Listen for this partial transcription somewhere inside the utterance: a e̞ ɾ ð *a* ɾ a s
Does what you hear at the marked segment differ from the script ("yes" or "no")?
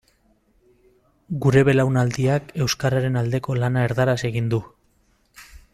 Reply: no